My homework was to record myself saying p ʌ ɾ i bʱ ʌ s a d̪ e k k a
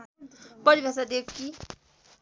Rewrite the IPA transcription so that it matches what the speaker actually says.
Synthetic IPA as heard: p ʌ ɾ i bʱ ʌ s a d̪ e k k i